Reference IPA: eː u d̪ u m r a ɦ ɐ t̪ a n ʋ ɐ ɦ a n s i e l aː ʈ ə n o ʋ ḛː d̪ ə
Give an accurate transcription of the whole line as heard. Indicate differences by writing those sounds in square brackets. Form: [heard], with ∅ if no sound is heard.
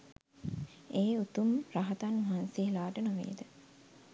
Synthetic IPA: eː u [t̪] u m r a ɦ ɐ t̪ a n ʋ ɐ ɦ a n s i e l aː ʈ ə n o ʋ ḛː d̪ ə